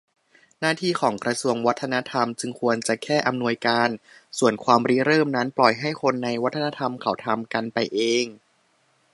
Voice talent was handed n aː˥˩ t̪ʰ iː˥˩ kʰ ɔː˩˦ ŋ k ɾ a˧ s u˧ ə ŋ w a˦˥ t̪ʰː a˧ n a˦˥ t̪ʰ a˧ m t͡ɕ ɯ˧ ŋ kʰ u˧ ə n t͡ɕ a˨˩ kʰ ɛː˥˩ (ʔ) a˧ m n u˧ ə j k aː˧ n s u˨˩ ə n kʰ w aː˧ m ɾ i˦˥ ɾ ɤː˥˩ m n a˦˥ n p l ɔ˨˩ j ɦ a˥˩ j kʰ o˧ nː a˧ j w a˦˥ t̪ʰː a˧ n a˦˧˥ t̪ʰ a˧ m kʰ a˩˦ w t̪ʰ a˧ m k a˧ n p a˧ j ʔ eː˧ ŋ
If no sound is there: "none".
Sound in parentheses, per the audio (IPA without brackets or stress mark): ʔ